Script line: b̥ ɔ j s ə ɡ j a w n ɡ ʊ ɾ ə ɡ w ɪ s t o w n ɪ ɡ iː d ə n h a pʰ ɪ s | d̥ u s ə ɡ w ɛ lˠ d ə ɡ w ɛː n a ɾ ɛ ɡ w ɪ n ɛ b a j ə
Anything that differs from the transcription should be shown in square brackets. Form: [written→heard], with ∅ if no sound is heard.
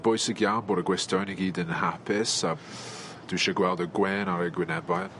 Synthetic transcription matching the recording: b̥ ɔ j s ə ɡ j a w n [ɡ→b] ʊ ɾ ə ɡ w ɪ s t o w n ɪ ɡ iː d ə n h a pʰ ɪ s | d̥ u [s→ʃ] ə ɡ w ɛ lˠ d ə ɡ w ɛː n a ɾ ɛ ɡ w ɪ n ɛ b a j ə